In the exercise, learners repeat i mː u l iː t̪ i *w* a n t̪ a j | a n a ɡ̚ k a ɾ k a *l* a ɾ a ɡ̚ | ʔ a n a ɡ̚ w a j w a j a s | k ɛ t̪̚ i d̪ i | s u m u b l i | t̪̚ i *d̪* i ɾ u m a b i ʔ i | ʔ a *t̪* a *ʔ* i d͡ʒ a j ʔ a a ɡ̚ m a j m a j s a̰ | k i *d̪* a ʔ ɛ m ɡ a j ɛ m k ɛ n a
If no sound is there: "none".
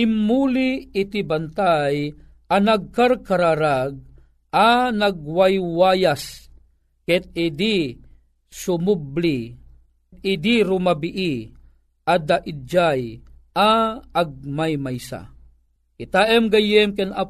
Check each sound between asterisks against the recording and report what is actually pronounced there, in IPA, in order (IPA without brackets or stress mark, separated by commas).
b, ɾ, d̪, d̪, ʔ, t̪